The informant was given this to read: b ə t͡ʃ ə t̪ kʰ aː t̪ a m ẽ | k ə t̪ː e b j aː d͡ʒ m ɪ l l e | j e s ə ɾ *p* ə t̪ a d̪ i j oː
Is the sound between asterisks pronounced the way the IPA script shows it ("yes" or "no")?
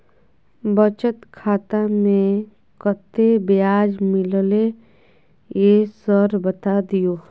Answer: no